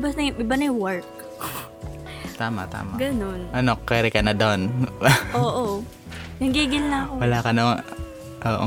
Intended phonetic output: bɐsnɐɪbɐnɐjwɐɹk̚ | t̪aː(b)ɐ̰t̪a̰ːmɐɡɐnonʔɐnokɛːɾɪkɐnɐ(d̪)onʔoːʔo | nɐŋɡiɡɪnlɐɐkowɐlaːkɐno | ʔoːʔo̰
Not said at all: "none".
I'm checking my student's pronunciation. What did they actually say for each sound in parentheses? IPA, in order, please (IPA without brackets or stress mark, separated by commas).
m, d̪